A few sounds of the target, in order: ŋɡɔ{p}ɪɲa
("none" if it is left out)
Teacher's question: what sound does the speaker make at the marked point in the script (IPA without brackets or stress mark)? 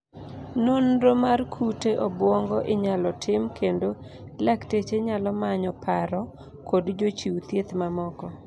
ʔ